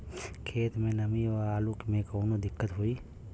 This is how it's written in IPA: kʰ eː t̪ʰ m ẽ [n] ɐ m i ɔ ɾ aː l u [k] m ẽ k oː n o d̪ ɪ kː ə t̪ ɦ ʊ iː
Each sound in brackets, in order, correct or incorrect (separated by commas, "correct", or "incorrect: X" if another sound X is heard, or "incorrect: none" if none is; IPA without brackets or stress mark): correct, correct